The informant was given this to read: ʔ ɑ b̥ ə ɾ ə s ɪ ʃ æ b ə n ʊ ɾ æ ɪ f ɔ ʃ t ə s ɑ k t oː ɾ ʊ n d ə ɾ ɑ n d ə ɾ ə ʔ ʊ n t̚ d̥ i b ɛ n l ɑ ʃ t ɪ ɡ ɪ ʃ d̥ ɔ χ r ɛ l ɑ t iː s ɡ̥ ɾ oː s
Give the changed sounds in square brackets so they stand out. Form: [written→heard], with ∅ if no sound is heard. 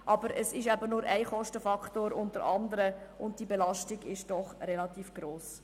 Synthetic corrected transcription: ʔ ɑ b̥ ə ɾ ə s ɪ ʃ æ b ə n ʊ ɾ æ ɪ [f→χ] ɔ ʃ t ə [s→f] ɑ k t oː ɾ ʊ n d ə ɾ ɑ n d ə ɾ ə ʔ ʊ n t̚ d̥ i b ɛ [n→∅] l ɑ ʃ t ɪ ɡ ɪ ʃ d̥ ɔ χ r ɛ l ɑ t iː [s→f] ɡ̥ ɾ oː s